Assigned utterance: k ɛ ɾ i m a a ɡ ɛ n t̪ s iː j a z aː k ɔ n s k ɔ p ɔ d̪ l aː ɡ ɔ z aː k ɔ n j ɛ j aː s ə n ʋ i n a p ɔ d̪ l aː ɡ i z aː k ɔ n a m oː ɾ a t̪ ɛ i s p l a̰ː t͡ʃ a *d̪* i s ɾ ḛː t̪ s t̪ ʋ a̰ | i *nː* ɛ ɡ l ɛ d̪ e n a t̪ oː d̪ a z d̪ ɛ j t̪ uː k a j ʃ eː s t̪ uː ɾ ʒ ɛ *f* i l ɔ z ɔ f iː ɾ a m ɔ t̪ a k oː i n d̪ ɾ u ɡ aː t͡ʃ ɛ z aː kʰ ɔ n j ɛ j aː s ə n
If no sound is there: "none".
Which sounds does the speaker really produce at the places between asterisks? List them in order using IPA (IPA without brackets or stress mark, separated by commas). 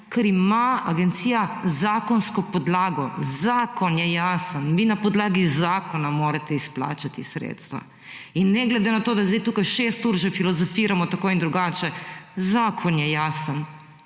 t̪, nː, f